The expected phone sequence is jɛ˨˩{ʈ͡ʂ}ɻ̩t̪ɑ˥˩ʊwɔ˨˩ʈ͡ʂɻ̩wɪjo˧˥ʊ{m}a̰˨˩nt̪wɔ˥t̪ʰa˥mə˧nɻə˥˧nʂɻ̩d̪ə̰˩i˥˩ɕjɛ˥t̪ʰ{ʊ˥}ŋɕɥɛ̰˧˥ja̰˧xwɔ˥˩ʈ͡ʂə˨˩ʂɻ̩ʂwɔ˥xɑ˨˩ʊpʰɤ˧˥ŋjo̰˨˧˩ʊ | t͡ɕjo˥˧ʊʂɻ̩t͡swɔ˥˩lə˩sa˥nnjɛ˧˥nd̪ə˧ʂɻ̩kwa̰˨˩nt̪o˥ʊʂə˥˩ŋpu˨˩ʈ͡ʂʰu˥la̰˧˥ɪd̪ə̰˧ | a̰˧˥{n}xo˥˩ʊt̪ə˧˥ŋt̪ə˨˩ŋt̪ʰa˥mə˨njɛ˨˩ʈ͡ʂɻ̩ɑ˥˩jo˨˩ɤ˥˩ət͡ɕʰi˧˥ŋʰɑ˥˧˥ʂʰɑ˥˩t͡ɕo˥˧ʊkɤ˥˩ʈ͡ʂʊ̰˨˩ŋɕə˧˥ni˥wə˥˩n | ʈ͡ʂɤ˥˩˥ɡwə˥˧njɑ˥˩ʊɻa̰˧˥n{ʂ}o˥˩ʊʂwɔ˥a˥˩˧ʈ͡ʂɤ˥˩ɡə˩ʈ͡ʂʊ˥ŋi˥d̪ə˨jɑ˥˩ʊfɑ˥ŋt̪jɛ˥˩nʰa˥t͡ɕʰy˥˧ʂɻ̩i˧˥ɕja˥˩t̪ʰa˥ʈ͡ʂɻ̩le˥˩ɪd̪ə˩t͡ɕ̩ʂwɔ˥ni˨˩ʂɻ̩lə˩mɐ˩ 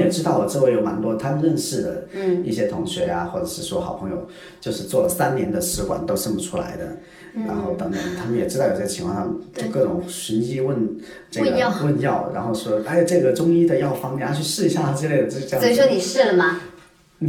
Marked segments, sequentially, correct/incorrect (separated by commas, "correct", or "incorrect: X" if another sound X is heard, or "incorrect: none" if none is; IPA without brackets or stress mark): correct, correct, incorrect: ʊ˧˥, correct, incorrect: x